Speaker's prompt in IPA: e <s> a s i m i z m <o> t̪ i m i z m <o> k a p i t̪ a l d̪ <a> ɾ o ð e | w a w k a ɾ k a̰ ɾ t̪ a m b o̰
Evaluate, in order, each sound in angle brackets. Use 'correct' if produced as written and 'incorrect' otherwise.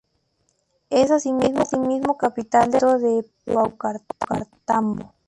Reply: correct, correct, correct, incorrect: e

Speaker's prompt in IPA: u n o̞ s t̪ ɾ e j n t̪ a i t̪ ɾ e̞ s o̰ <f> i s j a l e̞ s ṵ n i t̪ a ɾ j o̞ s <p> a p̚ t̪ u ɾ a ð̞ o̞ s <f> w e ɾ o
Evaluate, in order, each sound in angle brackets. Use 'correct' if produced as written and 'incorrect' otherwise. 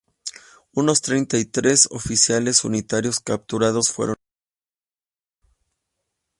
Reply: correct, incorrect: k, correct

